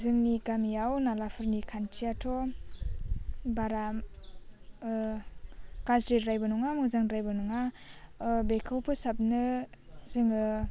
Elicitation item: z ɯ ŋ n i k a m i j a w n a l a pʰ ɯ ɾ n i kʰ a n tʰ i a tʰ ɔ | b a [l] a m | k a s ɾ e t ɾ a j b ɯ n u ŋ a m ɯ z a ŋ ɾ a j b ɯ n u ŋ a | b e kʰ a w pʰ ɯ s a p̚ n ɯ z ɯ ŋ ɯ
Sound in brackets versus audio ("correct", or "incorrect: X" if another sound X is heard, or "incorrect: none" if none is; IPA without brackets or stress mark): incorrect: ɾ